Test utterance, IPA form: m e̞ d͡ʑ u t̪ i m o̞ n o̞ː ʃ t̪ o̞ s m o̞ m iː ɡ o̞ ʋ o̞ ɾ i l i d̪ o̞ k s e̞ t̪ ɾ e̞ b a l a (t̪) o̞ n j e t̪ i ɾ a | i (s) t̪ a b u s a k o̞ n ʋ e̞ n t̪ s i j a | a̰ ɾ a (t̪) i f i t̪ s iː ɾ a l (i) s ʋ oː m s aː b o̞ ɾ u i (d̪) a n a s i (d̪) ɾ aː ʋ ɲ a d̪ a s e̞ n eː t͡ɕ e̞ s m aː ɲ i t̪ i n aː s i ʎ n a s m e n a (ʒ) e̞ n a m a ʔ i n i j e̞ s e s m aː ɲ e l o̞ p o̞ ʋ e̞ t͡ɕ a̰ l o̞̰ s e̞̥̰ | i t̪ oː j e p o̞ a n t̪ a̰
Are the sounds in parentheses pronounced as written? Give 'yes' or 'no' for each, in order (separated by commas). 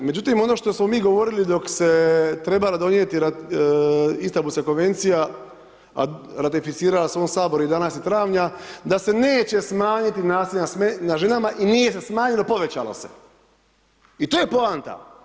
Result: no, yes, yes, no, yes, no, yes